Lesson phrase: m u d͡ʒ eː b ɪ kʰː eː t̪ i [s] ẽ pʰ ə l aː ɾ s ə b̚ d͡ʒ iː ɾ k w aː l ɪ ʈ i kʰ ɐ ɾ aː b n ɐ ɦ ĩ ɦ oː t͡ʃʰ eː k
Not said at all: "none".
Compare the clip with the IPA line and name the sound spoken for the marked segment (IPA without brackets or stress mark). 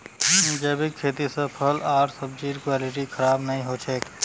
s